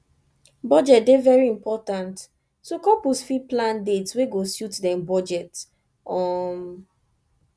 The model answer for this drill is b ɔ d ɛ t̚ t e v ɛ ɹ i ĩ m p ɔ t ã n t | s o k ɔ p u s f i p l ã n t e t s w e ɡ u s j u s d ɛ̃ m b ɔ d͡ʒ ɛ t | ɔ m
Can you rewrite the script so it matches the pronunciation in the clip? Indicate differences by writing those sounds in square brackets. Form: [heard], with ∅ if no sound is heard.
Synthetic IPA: b ɔ [d͡ʒ] ɛ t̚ [d] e v ɛ ɹ i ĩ m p ɔ t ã n t | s o k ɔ p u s f i p l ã n [d] e t s w e ɡ [o] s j u [t] d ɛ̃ m b ɔ d͡ʒ ɛ t | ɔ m

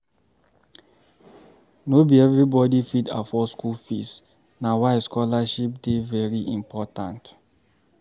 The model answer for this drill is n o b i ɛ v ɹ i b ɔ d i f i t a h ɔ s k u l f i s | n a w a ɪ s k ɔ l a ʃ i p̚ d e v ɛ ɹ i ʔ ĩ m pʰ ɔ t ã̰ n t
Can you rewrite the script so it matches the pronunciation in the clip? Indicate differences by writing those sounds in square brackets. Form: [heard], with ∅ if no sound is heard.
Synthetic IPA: n o b i ɛ v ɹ i b ɔ d i f i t a [f] ɔ s k u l f i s | n a w a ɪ s k ɔ l a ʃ i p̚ d e v ɛ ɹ i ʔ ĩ m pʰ ɔ t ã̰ n t

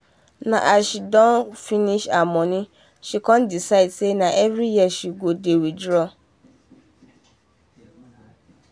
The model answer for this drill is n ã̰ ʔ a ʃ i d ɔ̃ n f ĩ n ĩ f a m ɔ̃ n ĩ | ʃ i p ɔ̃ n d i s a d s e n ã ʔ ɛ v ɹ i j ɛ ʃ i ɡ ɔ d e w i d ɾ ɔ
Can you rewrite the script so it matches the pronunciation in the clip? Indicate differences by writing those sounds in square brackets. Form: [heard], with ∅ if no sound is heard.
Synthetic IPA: n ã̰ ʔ a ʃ i d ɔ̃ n f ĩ n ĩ [ʃ] a m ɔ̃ n ĩ | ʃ i [k] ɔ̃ n d i s a d s e n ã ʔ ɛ v [ɾ] i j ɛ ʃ i ɡ [o] d e w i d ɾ ɔ

